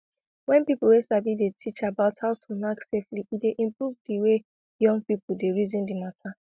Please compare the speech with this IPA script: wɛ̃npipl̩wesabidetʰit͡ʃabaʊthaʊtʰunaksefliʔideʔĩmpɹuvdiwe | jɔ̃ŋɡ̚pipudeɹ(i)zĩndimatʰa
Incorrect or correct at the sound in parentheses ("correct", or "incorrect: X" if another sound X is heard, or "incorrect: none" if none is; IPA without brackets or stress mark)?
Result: correct